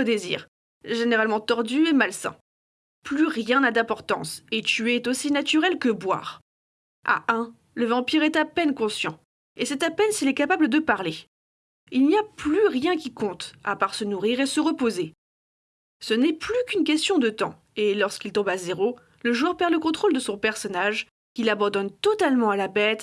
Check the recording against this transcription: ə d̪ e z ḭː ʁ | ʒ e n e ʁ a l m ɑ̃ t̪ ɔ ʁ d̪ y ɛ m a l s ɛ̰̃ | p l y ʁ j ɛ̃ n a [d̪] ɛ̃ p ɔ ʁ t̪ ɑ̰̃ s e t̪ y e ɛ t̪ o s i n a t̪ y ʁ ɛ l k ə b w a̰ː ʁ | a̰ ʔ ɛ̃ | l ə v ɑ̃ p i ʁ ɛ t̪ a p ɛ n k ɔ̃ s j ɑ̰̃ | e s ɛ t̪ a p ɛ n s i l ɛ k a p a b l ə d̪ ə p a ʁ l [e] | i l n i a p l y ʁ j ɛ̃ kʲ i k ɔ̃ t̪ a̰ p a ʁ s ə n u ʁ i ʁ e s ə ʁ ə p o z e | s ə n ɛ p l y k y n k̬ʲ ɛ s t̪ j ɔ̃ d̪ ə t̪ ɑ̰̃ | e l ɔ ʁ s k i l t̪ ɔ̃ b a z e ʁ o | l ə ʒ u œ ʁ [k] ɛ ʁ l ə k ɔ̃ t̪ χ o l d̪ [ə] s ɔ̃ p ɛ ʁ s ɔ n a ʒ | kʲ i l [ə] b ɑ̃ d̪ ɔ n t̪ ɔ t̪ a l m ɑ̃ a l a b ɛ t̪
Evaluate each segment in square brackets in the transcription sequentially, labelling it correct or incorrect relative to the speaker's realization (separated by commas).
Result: correct, correct, incorrect, correct, incorrect